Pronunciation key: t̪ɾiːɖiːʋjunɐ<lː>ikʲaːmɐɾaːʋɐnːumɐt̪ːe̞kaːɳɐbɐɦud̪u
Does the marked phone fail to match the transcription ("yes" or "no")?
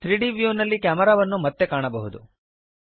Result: no